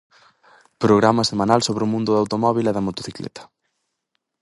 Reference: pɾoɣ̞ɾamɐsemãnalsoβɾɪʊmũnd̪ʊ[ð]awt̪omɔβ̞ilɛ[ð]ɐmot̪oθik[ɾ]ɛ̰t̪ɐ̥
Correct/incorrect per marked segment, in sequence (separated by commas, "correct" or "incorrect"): correct, correct, incorrect